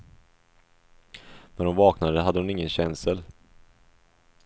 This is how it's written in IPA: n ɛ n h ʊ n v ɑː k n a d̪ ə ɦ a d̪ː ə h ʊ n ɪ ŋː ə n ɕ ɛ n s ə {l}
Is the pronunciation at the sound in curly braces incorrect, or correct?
correct